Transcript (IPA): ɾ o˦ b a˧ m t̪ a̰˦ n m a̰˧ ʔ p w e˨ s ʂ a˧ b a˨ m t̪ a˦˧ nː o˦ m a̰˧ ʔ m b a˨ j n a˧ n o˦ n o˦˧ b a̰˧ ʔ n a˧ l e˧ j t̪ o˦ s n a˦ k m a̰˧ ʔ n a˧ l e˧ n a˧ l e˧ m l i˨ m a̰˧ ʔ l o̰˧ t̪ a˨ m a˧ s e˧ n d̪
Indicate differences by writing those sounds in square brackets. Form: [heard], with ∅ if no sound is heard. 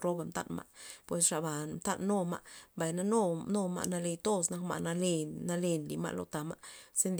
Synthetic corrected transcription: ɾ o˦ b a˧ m t̪ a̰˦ n m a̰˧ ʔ p w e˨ s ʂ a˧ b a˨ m t̪ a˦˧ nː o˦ m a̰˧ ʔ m b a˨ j n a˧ n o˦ n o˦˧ [m] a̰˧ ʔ n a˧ l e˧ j t̪ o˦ s n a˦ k m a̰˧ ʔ n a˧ l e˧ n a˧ l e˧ [n] l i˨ m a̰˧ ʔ l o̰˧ t̪ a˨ m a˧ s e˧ n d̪

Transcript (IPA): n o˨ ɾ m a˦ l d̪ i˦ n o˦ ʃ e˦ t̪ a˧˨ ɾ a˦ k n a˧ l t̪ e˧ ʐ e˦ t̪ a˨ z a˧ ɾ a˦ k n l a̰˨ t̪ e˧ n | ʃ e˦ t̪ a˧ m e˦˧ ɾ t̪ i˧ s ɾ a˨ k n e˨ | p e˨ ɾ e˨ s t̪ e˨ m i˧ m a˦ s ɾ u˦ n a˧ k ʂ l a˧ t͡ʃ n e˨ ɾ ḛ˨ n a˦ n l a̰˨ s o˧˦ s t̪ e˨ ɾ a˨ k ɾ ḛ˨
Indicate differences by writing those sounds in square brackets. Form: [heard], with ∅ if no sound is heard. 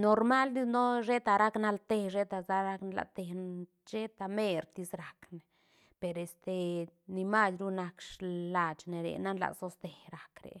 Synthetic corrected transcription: n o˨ ɾ m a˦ l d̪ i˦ n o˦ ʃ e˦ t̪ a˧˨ ɾ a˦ k n a˧ l t̪ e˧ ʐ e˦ t̪ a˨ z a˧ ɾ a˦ k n l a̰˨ t̪ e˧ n | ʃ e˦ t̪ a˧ m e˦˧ ɾ t̪ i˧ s ɾ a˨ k n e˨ | p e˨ ɾ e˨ s t̪ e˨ [n] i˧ m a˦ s ɾ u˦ n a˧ k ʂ l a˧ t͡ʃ n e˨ ɾ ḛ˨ n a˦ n l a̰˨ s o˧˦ s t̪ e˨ ɾ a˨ k ɾ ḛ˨

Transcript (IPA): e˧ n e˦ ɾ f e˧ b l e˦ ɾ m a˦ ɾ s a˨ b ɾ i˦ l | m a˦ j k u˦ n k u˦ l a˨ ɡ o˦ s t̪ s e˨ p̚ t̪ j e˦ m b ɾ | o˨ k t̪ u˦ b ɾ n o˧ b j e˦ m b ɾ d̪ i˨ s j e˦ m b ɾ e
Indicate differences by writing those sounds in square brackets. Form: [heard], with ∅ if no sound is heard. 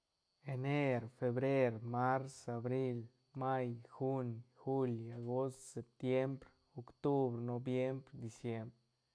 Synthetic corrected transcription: e˧ n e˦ ɾ f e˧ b [ɾ] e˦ ɾ m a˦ ɾ s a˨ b ɾ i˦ l | m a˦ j [x] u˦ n [x] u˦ l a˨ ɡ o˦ s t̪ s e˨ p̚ t̪ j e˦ m b ɾ | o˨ k t̪ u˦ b ɾ n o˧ b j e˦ m b ɾ d̪ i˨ s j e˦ m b ɾ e

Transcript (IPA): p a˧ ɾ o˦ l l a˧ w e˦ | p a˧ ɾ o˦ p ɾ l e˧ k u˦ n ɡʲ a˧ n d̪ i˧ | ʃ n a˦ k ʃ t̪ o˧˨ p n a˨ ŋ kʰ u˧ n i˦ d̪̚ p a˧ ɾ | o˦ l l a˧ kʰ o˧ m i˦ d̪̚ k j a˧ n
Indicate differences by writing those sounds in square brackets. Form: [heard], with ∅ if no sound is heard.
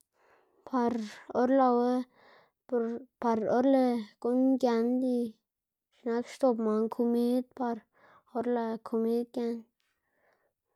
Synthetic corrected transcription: p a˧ ɾ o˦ [ɾ] l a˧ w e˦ | p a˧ ɾ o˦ [∅] ɾ l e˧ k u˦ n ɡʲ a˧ n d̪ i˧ | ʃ n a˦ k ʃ t̪ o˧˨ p [m] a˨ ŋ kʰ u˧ [m] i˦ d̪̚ p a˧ ɾ | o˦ [ɾ] l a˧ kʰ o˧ m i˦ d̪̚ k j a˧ n

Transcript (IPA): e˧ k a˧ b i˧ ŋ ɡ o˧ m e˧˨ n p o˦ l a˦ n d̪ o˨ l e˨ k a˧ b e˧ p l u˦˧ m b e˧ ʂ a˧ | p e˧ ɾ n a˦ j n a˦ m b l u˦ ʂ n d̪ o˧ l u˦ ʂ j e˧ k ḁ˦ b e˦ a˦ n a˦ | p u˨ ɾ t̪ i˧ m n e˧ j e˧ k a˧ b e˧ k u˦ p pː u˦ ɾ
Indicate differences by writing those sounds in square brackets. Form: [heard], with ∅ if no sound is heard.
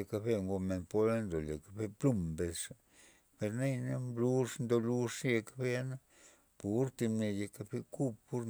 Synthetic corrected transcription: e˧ k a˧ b [e˧] ŋ ɡ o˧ m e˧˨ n p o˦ l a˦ n d̪ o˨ l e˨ k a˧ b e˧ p l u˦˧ m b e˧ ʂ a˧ | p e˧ ɾ n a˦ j n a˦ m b l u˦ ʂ n d̪ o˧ l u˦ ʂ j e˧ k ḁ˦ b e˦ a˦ n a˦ | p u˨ ɾ t̪ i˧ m n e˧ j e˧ k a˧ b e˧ k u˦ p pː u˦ ɾ

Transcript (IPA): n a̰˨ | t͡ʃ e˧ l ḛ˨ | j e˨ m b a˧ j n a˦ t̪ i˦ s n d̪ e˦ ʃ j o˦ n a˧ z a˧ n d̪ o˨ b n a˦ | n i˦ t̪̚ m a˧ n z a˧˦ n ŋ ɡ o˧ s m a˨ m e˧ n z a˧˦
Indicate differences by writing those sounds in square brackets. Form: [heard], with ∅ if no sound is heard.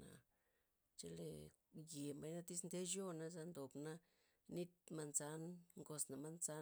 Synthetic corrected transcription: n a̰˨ | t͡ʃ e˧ l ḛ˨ | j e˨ m b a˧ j n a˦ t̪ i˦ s n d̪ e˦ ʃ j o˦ n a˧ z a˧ n d̪ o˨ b n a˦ | n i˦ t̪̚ m a˧ n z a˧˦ n ŋ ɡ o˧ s [n] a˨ m [a˧] n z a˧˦

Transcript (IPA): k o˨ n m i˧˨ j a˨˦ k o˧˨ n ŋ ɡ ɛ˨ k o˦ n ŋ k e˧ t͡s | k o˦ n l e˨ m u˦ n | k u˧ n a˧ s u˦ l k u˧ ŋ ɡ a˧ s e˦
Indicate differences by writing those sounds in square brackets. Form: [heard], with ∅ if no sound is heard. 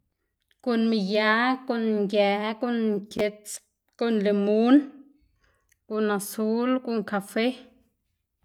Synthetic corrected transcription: k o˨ n m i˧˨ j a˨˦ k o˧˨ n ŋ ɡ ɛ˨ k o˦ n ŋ k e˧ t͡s | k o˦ n l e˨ m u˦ n | k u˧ n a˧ s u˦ l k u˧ ŋ [k] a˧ [f] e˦

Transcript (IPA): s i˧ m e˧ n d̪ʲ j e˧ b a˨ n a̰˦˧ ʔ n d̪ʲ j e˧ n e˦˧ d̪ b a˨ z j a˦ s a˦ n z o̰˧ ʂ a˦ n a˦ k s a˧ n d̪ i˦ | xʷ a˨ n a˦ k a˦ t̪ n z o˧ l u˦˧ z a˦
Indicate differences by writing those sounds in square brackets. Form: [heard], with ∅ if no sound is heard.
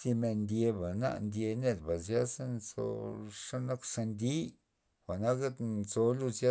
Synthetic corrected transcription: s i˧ m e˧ n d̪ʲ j e˧ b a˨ n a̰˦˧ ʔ n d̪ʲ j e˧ n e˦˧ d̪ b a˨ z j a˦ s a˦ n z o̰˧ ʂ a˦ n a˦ k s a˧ n d̪ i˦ | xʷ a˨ n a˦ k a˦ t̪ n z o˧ l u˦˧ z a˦

